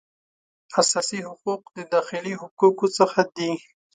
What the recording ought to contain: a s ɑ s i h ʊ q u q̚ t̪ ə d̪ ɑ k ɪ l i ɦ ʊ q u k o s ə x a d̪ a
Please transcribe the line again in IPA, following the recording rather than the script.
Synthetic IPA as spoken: a s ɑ s i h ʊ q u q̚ d̪ ə d̪ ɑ x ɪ l i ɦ ʊ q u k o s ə x a d̪ i

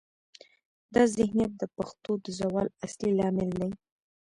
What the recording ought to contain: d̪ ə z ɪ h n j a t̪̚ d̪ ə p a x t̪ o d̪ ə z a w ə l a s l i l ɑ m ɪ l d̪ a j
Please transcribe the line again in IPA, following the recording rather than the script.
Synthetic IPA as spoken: d̪ ɑ z ɪ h n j a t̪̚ d̪ ə p a x t̪ o d̪ ə z a w ɑ l a s l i l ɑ m ɪ l d̪ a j

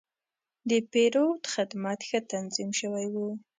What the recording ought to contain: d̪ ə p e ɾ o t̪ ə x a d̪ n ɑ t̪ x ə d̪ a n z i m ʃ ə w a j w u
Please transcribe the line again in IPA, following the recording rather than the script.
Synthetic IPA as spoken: d̪ ə p e ɾ o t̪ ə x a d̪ m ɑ t̪ x ə t̪ a n z i m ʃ ə w a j w u

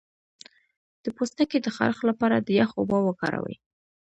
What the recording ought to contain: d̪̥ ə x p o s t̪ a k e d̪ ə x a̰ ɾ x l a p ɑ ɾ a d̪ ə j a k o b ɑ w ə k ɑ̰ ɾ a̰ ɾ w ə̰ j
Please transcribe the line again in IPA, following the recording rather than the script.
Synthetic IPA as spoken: d̪̥ ə p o s t̪ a k e d̪ ə x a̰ ɾ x l a p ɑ ɾ a d̪ ə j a x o b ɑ w ə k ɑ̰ ɾ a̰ w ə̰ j

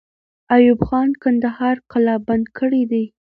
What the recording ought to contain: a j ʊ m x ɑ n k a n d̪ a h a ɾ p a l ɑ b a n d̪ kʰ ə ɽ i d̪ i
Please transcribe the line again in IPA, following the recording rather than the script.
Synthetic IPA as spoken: a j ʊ b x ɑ n k a n d̪ a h ɑ ɾ q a l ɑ b a n d̪ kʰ ə ɽ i d̪ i

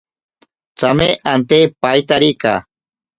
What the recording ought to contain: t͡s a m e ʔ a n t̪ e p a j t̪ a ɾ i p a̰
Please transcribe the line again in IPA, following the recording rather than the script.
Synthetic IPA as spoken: t͡s a m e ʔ a n t̪ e p a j t̪ a ɾ i k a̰

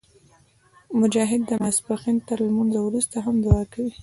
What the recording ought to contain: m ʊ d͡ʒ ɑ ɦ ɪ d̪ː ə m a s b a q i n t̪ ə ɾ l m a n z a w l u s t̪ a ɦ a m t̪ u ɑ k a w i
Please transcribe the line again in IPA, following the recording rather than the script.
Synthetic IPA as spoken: m ʊ d͡ʒ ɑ ɦ ɪ d̪ː ə m a s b a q i n t̪ ə ɾ l m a n z a w ɾ u s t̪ a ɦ a m d̪ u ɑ k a w i

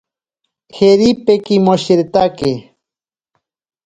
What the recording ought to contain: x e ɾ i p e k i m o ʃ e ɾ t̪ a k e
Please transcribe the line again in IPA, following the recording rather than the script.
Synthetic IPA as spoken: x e ɾ i p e k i m o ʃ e ɾ t̪ a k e

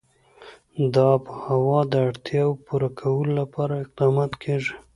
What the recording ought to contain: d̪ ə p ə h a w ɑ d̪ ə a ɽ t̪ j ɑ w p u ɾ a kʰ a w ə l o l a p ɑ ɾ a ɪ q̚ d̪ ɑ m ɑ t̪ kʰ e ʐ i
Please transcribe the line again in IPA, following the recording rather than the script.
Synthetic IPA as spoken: d̪ ɑ p ə h a w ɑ d̪ ə a ɽ t̪ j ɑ w p u ɾ a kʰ a w ə l o l a p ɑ ɾ a ɪ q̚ d̪ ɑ m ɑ t̪ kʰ e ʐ i

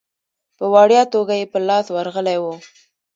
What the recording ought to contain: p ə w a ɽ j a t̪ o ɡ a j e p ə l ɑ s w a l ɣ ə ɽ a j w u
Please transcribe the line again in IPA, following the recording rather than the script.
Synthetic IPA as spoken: p ə w ɑ ɽ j ɑ t̪ o ɡ a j e p ə l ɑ s w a ɾ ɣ ə l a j w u

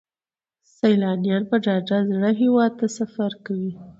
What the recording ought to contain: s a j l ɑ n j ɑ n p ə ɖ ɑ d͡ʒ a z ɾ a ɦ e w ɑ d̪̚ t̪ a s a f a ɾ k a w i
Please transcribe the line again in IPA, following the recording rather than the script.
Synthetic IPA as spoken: s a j l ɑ n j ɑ n p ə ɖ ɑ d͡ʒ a z ɽ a ɦ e w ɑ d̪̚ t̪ a s a f a ɾ k a w i

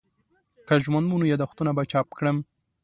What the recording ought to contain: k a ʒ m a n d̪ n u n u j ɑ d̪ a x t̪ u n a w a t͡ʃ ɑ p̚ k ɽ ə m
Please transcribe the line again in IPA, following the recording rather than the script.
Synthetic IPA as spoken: k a ʒ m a n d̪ m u n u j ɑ d̪ a x t̪ u n a b a t͡ʃ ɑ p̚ k ɽ ə m

